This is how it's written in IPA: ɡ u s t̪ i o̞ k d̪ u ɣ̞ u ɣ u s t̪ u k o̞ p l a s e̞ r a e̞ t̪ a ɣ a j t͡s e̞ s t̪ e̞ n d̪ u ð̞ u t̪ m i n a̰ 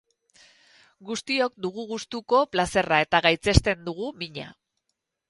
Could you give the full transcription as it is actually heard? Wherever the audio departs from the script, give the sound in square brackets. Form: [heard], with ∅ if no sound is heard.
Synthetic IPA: ɡ u s t̪ i o̞ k d̪ u ɣ̞ u ɣ u s t̪ u k o̞ p l a s e̞ r a e̞ t̪ a ɣ a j t͡s e̞ s t̪ e̞ n d̪ u [ɣ̞] u [∅] m i [ɲ] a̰